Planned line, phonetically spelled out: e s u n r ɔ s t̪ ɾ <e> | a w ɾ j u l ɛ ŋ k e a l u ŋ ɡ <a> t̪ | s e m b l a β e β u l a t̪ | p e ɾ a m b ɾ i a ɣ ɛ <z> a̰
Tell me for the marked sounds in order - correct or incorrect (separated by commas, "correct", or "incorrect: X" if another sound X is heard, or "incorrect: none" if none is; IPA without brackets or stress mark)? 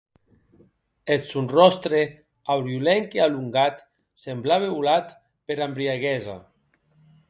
correct, correct, correct